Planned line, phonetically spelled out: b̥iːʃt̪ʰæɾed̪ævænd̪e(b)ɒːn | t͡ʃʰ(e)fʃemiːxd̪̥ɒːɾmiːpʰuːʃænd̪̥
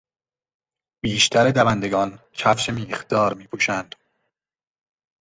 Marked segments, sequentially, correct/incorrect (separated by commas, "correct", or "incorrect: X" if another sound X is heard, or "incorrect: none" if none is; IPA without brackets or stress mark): incorrect: ɡ, incorrect: æ